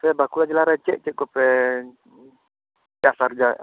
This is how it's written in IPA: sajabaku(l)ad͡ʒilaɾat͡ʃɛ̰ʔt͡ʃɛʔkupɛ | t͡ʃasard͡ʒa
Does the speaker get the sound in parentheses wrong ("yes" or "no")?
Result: no